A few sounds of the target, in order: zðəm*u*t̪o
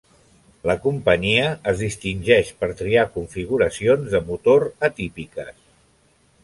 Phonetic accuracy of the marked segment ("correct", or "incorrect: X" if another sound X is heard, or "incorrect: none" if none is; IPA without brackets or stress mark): correct